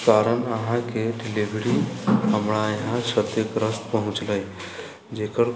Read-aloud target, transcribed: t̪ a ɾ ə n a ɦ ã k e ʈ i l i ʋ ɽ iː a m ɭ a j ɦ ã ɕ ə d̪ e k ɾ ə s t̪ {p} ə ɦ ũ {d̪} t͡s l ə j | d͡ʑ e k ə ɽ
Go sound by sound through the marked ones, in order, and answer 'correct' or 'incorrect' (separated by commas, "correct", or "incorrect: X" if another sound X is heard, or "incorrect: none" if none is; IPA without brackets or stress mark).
correct, incorrect: none